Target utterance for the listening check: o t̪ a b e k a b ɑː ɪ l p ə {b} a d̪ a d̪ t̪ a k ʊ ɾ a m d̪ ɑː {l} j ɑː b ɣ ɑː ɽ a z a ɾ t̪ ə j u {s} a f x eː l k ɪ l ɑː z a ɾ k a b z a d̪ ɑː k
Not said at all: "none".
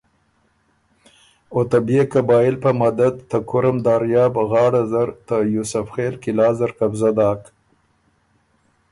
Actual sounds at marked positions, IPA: m, ɾ, s

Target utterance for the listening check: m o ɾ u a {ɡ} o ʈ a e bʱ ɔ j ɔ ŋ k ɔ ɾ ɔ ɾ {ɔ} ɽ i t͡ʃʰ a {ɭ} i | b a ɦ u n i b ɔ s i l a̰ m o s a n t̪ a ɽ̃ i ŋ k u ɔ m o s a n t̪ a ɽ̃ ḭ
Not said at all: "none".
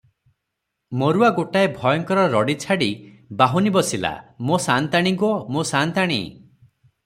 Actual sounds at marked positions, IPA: ɡ, ɔ, ɽ

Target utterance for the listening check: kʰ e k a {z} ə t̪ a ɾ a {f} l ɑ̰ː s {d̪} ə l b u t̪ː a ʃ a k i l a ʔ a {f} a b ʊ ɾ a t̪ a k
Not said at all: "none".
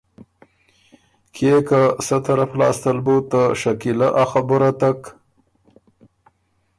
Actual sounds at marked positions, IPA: s, f, t̪, x

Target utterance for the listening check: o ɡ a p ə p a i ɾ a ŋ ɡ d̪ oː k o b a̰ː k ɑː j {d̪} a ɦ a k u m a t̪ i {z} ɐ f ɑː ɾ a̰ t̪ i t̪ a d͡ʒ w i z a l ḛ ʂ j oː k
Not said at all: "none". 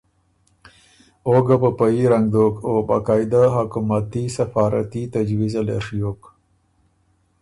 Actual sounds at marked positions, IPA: d̪, s

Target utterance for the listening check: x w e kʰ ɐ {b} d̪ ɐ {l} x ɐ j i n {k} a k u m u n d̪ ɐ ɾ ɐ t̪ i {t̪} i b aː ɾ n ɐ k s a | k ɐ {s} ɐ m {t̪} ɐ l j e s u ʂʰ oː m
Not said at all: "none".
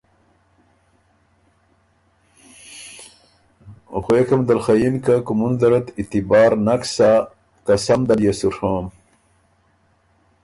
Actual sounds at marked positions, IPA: m, l, k, t̪, s, d̪

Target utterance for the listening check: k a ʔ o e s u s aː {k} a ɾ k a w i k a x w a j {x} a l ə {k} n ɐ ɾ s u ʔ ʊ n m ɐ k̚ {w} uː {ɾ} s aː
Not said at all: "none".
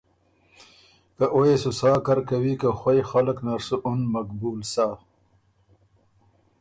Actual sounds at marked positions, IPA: k, x, k, b, l

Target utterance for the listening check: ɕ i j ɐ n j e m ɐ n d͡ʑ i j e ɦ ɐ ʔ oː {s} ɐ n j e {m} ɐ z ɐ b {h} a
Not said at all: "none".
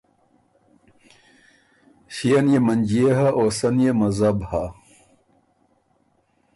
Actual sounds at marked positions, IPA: s, m, h

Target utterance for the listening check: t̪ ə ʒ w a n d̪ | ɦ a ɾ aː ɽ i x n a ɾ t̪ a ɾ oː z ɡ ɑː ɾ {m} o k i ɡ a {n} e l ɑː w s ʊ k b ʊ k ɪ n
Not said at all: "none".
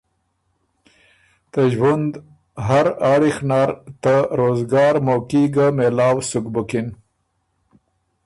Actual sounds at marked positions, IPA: m, m

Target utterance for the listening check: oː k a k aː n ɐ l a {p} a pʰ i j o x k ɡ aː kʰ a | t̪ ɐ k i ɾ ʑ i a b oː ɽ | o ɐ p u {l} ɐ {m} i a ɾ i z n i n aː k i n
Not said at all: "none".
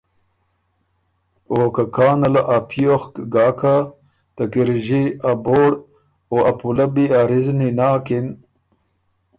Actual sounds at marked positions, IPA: ʔ, l, b

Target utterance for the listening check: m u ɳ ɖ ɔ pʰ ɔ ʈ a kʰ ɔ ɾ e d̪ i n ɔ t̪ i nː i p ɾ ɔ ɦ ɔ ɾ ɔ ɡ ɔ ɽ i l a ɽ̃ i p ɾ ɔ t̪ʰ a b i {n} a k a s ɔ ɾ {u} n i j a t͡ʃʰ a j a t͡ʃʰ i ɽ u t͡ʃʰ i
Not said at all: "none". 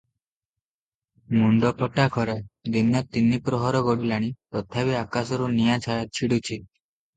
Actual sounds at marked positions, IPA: none, u

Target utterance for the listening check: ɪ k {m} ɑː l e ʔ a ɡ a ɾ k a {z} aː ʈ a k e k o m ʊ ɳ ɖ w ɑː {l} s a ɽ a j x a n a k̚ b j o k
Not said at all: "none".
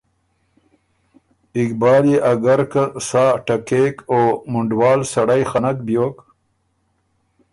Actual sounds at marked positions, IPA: b, s, l

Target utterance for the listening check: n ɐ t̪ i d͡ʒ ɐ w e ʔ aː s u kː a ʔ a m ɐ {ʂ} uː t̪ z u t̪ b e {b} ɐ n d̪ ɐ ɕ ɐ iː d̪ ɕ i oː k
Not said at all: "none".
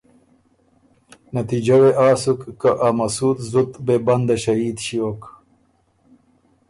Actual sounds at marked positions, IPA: s, b

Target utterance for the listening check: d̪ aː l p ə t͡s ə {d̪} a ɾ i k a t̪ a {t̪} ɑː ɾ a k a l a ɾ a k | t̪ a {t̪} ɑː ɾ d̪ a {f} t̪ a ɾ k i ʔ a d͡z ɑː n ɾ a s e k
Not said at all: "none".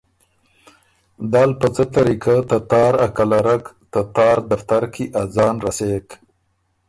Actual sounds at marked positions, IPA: t̪, t̪, t̪, f

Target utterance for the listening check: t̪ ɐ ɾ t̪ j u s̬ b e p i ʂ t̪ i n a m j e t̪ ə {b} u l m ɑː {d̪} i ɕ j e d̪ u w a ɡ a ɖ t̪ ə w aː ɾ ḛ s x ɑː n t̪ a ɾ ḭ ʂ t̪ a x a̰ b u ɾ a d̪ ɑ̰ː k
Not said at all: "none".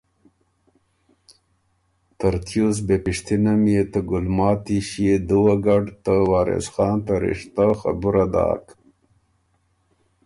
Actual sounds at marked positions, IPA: ɡ, t̪

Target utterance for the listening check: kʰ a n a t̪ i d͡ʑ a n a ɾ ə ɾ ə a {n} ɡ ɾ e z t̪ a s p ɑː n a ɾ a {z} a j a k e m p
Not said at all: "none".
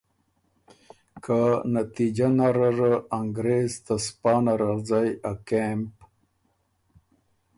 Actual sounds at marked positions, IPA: ŋ, z

